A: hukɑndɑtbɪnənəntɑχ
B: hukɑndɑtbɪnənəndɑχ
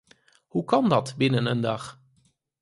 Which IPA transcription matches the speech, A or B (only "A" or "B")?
B